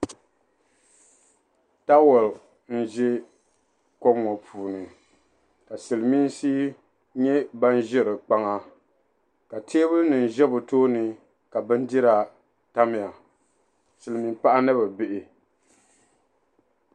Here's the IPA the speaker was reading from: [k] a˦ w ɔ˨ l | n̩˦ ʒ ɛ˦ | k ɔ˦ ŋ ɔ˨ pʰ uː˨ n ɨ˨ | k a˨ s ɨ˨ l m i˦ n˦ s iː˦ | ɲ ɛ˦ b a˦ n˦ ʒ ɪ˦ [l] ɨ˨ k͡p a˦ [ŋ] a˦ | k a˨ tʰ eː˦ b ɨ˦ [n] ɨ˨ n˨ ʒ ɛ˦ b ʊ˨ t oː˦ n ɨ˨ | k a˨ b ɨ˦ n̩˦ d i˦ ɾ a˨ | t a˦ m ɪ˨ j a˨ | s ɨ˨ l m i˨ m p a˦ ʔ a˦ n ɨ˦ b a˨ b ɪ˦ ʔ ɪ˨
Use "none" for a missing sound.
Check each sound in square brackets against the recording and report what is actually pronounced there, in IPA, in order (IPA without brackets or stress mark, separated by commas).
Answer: t, ɾ, ŋ, n